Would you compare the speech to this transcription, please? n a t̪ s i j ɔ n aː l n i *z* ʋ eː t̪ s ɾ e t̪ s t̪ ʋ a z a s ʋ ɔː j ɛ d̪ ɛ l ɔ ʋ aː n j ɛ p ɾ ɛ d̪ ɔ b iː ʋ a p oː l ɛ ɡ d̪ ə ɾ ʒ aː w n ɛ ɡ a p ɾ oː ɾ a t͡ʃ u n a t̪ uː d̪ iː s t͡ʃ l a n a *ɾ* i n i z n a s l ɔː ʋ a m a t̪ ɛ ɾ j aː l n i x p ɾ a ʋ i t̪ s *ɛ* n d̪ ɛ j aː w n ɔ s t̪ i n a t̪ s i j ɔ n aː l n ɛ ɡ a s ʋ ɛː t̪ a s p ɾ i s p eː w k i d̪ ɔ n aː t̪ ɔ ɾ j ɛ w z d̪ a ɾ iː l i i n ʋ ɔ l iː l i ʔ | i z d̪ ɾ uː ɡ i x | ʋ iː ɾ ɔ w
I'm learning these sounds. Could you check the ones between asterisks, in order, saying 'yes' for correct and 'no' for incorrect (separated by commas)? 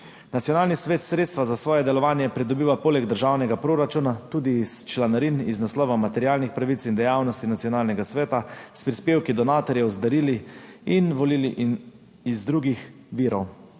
no, yes, no